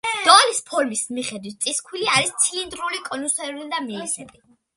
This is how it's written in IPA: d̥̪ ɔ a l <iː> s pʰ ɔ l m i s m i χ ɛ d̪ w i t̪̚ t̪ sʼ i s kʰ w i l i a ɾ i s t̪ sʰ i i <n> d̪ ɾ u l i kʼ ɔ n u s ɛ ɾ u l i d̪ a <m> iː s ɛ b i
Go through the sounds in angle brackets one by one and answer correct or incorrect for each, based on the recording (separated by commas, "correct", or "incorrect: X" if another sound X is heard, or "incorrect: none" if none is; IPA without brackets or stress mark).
incorrect: i, correct, correct